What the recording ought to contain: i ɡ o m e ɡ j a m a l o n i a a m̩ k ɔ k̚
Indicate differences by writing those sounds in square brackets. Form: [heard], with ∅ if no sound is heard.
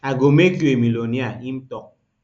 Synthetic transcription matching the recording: [a] ɡ o m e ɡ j [e] m [i] l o n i a [i] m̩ [t] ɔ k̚